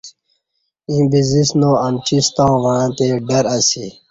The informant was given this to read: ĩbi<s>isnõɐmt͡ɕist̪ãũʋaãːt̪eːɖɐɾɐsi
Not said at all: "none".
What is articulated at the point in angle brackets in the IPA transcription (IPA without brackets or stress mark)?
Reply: z